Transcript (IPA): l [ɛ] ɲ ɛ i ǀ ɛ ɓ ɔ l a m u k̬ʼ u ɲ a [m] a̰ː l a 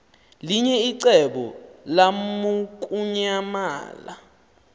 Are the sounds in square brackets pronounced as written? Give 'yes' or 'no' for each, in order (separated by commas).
no, yes